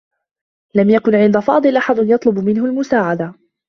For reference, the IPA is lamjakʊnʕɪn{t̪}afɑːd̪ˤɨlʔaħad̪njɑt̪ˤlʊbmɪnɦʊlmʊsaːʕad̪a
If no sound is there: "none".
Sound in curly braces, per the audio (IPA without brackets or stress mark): d̪